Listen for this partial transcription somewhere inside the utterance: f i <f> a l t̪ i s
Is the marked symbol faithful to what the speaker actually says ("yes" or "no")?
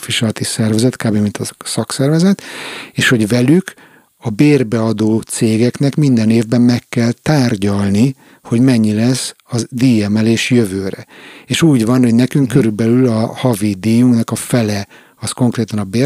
no